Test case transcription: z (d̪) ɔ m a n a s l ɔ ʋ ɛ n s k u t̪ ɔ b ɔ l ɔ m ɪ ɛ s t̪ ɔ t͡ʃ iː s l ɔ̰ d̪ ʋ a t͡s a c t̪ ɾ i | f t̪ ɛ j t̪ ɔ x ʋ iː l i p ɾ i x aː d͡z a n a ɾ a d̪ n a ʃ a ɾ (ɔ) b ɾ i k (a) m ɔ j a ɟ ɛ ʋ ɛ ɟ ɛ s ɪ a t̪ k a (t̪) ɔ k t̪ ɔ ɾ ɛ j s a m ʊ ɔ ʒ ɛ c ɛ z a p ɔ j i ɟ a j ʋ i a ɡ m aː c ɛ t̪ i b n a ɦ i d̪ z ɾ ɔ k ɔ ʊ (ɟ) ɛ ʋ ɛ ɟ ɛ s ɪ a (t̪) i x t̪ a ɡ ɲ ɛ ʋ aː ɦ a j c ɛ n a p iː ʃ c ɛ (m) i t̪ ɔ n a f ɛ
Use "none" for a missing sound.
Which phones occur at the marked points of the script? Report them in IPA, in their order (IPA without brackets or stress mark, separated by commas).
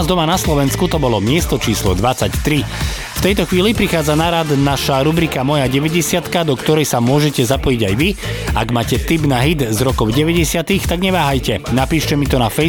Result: d̪, u, a, d̪, ɟ, t̪, m